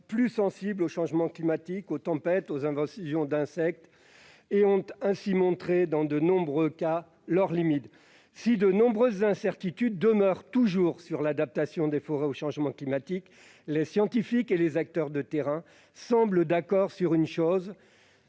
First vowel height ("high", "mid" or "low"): high